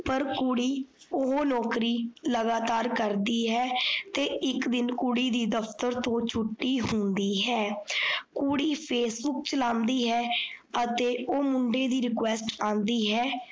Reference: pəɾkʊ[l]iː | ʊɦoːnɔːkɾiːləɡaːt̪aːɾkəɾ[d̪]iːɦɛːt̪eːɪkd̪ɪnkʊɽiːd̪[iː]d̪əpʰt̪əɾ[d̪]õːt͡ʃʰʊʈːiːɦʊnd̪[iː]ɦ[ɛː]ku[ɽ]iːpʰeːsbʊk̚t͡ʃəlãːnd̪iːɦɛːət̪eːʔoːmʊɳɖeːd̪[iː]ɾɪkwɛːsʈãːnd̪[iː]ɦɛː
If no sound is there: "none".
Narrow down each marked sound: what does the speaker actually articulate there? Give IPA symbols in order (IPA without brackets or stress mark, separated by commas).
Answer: ɽ, d̪, iː, t̪, iː, ɛː, ɽ, iː, iː